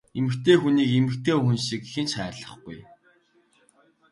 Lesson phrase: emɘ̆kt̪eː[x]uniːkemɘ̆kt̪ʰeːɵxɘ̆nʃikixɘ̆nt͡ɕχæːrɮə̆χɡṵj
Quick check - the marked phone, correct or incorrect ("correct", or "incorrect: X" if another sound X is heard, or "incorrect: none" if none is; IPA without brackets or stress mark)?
correct